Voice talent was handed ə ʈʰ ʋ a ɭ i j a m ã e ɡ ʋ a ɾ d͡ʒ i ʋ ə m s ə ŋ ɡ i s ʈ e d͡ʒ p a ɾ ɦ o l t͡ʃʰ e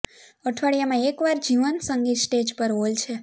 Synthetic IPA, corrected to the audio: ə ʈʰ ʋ a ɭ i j a m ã e k ʋ a ɾ d͡ʒ i ʋ ə n s ə ŋ ɡ i s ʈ e d͡ʒ p ə ɾ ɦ o l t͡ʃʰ e

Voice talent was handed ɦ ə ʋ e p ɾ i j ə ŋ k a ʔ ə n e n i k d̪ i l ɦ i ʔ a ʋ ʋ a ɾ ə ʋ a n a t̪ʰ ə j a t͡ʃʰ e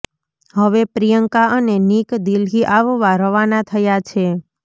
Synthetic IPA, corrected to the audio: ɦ ə ʋ e p ɾ i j ə ŋ k a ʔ ə n e n i k d̪ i l ɦ i ʔ a ʋ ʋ a ɾ ə ʋ a n a t̪ʰ ə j a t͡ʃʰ e

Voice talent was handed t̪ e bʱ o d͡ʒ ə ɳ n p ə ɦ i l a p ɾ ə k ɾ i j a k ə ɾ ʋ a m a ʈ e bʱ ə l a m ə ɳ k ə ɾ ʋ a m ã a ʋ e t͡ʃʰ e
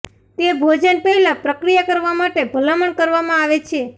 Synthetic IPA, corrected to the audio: t̪ e bʱ o d͡ʒ ə n p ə ɦ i l a p ɾ ə k ɾ i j a k ə ɾ ʋ a m a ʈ e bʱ ə l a m ə ɳ k ə ɾ ʋ a m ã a ʋ e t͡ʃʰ e

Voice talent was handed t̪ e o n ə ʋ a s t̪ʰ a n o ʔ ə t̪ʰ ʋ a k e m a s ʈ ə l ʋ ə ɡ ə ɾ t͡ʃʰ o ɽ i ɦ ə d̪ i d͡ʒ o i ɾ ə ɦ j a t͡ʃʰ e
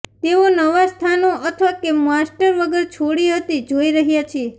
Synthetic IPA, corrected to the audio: t̪ e o n ə ʋ a s t̪ʰ a n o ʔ ə t̪ʰ ʋ a k e m a s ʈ ə ɾ ʋ ə ɡ ə ɾ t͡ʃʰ o ɽ i ɦ ə t̪ i d͡ʒ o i ɾ ə ɦ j a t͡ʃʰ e

